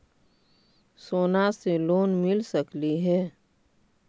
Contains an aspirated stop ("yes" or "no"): no